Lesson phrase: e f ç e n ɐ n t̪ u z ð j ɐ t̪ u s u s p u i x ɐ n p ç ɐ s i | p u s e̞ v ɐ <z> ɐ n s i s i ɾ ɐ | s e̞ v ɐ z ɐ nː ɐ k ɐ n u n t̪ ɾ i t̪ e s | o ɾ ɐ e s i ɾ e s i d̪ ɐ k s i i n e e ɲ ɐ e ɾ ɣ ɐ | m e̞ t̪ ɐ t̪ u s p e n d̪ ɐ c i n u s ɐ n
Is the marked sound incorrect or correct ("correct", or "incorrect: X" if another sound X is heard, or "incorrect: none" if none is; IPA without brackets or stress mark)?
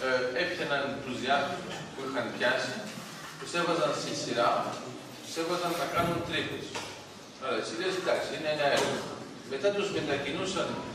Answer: correct